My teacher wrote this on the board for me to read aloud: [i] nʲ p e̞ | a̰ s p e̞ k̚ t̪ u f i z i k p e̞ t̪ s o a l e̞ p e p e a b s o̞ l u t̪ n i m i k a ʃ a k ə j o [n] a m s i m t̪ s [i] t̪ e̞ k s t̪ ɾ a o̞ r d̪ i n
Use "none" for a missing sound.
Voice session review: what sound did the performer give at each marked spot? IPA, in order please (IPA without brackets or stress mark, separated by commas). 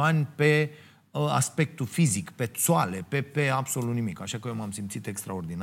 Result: a, m, i